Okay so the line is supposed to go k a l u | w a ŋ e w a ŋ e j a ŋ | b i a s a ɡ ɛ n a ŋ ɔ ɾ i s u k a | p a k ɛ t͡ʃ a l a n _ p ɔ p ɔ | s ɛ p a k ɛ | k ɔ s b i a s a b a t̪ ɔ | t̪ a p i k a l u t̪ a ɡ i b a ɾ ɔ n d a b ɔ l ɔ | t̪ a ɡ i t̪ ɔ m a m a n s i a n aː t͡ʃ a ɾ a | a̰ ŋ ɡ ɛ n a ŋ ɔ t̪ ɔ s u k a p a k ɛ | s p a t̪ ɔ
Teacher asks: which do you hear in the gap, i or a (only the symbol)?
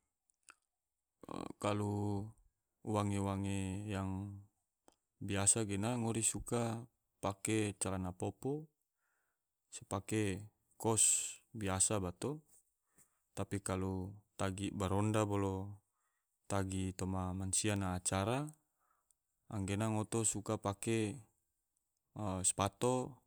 a